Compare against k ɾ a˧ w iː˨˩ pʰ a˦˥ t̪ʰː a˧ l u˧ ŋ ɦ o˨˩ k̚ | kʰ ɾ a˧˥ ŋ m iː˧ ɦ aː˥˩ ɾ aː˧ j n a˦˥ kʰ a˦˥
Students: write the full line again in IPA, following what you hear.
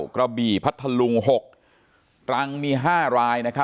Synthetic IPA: k ɾ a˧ b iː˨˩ pʰ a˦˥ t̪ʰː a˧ l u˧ ŋ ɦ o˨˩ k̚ | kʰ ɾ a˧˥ ŋ m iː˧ ɦ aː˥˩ ɾ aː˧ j n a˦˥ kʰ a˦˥